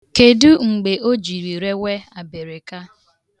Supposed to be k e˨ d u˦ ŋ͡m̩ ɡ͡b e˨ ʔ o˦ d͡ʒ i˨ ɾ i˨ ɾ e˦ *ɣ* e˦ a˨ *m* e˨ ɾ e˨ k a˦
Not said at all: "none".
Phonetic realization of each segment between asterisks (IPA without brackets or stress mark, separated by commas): w, b